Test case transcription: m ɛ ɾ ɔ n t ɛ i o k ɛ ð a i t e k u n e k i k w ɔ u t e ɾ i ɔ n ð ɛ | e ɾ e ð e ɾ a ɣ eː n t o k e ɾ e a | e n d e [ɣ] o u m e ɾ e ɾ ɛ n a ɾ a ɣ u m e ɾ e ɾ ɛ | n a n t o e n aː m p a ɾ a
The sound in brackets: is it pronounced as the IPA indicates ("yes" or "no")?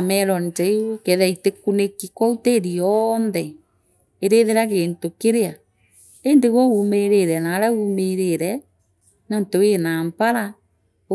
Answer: yes